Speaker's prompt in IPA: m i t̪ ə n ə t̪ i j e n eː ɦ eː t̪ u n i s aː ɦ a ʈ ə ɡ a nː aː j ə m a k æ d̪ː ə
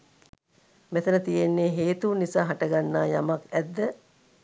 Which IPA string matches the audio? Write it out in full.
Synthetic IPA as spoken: m e t̪ ə n ə t̪ i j e nː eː ɦ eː t̪ u n i s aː ɦ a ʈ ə ɡ a nː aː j a m a k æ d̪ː ə